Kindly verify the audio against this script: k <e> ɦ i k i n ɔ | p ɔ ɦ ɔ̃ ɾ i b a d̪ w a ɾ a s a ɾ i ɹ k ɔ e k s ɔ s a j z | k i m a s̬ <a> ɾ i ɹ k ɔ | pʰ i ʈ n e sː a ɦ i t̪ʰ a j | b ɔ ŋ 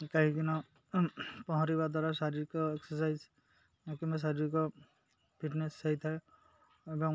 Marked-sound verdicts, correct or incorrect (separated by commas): incorrect, correct